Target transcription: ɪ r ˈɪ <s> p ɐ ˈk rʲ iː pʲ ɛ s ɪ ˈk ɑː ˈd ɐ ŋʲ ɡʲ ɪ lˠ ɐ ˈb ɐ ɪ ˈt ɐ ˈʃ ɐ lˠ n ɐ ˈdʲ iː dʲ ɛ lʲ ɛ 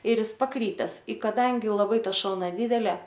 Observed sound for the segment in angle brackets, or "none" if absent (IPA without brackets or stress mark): s